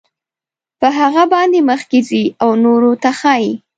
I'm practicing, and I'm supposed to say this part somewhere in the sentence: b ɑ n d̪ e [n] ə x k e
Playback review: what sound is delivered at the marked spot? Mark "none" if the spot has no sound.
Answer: m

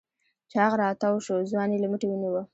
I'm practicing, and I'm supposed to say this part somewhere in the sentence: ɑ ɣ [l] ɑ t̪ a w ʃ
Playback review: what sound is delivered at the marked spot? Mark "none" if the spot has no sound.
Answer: ɾ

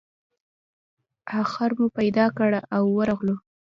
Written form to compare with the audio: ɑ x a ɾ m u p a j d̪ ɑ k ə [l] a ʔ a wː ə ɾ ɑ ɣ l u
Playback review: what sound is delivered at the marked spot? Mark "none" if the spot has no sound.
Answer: ɽ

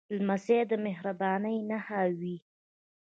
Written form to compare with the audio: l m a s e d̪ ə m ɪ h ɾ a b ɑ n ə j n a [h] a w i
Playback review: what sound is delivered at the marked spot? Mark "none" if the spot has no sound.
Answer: h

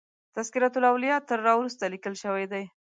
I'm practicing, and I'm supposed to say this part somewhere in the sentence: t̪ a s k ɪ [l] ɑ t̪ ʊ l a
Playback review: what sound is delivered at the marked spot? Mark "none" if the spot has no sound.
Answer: ɾ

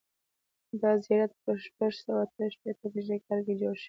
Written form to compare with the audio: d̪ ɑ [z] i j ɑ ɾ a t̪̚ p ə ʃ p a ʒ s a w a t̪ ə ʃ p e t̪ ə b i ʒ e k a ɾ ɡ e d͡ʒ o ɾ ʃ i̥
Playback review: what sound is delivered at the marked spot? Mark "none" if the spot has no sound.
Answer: z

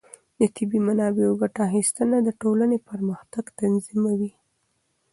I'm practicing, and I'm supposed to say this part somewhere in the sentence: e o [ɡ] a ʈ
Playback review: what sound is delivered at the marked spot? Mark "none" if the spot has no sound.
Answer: ɡ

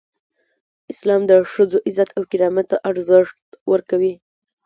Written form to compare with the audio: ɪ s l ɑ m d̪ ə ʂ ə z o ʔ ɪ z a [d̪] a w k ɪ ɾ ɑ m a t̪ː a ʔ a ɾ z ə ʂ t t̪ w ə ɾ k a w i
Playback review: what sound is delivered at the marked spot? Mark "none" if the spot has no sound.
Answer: t̪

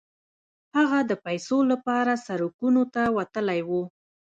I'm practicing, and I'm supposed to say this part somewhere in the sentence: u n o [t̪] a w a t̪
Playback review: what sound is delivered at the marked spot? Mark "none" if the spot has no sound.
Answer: t̪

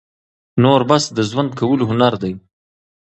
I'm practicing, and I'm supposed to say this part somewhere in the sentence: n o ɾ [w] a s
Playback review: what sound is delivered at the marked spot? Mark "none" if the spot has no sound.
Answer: b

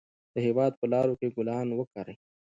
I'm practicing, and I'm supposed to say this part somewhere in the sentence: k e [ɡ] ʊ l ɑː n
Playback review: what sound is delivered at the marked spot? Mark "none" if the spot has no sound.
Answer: ɡ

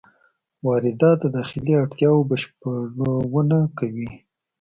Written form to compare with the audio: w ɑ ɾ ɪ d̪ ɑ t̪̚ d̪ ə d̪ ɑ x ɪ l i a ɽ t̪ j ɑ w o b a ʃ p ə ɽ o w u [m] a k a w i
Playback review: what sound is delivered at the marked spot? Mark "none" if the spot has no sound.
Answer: n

